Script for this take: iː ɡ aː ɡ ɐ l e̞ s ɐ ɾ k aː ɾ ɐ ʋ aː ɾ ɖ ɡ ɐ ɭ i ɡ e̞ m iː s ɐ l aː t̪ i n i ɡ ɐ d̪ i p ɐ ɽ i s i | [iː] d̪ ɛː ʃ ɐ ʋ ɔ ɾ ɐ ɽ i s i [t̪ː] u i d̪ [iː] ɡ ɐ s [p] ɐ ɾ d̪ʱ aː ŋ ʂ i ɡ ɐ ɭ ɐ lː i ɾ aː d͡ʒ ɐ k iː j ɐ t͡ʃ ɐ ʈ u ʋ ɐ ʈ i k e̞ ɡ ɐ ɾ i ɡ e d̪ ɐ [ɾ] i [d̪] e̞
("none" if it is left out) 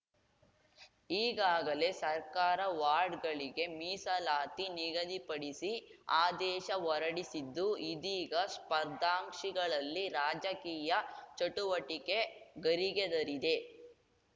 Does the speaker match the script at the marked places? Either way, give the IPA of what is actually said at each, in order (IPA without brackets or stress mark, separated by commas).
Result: aː, d̪ː, iː, p, ɾ, d̪